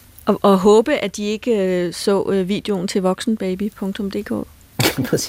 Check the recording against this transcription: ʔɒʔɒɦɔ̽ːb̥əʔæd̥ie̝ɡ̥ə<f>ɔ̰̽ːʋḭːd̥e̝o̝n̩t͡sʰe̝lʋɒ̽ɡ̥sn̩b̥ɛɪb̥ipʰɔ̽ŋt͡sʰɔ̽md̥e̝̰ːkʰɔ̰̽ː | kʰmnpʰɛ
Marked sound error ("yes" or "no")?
yes